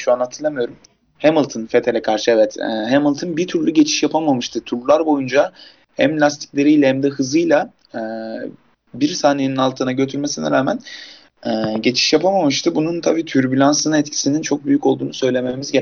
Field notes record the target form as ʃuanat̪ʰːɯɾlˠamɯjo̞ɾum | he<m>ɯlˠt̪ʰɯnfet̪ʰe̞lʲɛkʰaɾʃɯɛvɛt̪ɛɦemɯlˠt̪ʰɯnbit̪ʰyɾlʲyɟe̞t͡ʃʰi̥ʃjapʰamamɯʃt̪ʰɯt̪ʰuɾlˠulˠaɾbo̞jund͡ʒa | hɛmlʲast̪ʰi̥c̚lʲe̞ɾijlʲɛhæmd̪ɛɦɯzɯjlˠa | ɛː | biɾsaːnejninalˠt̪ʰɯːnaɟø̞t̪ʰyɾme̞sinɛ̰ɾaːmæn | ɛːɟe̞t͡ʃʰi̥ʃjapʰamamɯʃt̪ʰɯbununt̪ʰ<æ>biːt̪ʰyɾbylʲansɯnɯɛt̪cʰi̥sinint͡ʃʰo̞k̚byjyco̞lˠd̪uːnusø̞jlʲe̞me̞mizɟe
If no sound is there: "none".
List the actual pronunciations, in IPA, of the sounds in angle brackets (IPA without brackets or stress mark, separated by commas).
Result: m, a